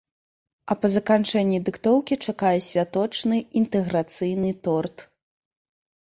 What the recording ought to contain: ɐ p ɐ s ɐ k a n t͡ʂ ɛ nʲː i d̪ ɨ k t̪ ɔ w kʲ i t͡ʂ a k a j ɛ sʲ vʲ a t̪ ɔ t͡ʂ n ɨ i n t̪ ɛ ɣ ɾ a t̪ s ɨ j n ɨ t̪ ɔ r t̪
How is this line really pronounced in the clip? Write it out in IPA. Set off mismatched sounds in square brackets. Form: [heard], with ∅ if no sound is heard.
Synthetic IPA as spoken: ɐ p ɐ [z] ɐ k a n t͡ʂ ɛ nʲː i d̪ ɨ k t̪ ɔ w kʲ i t͡ʂ a k a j ɛ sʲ vʲ a t̪ ɔ t͡ʂ n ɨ i n t̪ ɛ ɣ ɾ a t̪ s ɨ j n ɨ t̪ ɔ r t̪